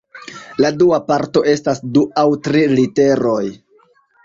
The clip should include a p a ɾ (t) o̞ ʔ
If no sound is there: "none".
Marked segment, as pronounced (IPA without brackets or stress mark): t